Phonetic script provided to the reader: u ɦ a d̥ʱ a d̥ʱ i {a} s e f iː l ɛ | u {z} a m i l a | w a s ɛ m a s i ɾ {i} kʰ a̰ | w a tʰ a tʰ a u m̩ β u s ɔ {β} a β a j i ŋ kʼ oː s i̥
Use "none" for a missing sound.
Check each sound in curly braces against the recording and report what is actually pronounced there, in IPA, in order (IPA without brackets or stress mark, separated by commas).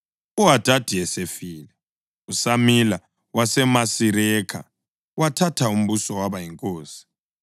ɛ, s, ɛ, w